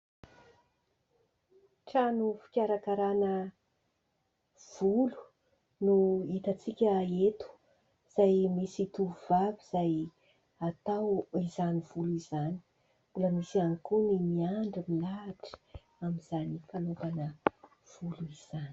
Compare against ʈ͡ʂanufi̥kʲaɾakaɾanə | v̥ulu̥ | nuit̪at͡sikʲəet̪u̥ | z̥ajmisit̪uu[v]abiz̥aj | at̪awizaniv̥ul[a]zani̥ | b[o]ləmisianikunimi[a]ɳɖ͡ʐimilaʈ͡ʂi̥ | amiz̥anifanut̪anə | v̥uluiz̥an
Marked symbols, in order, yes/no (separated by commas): yes, no, no, yes